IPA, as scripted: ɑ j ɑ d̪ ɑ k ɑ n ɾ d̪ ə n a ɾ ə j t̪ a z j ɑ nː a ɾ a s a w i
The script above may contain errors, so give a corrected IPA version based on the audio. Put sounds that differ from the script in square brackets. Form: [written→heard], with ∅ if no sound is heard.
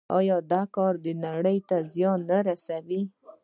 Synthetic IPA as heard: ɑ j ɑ d̪ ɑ k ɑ [n→∅] ɾ d̪ ə n a [ɾ→ɽ] ə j t̪ a z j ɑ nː a ɾ a s a w i